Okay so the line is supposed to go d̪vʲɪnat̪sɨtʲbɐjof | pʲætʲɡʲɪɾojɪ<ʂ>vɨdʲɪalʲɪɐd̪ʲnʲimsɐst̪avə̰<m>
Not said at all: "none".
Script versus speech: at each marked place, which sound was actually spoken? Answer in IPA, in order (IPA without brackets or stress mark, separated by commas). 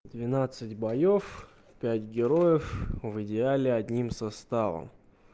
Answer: f, m